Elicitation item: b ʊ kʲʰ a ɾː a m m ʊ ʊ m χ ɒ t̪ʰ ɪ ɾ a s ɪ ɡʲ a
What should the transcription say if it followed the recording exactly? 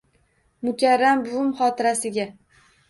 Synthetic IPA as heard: m ʊ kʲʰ a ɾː a m b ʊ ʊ m χ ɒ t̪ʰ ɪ ɾ a s ɪ ɡʲ a